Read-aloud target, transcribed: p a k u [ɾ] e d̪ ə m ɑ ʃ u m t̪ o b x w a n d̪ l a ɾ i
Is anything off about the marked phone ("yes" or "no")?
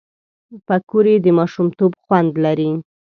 no